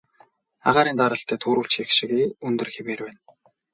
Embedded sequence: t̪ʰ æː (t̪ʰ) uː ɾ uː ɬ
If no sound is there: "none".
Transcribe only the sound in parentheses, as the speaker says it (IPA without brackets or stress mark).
t̪ʰ